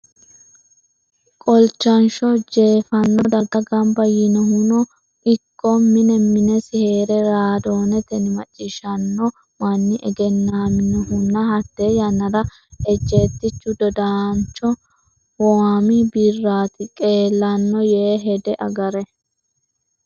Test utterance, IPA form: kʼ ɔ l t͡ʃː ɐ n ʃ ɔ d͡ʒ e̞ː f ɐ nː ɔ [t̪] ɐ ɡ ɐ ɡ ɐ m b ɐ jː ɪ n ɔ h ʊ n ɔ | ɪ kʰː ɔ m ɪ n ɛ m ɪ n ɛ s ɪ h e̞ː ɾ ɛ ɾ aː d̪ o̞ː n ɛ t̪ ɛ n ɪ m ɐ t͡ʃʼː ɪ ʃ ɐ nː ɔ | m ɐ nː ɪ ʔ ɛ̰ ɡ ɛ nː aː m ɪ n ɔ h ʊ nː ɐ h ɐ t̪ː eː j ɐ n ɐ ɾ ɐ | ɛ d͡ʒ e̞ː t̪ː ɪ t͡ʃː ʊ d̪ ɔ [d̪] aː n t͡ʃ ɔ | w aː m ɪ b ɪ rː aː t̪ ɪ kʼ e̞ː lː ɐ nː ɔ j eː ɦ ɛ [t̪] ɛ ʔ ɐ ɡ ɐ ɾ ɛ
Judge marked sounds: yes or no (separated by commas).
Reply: no, yes, no